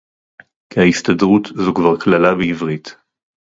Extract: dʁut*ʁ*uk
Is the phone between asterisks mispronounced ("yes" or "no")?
yes